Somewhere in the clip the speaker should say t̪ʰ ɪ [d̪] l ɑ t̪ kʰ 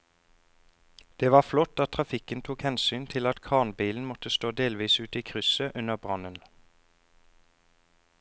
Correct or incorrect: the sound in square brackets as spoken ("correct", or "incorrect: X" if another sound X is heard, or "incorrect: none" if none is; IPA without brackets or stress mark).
incorrect: none